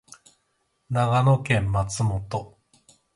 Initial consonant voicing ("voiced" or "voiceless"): voiced